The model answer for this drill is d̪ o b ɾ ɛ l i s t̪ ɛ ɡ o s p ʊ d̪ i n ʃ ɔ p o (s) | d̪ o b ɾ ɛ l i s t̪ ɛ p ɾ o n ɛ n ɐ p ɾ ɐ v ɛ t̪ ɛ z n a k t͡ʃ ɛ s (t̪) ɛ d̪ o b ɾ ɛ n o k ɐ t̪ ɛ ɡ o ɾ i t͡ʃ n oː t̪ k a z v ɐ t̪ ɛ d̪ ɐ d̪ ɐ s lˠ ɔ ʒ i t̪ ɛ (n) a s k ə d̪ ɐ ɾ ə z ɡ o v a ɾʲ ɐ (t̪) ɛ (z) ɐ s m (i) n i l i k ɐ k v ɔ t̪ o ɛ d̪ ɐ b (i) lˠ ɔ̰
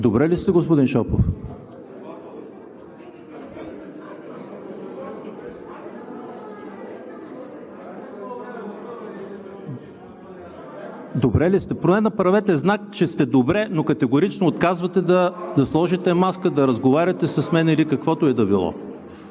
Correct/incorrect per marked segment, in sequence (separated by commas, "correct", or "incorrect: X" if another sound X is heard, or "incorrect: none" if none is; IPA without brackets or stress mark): incorrect: f, correct, incorrect: m, correct, incorrect: s, incorrect: ɛ, correct